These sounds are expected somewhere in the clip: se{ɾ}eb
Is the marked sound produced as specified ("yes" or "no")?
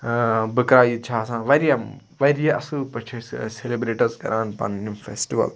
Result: no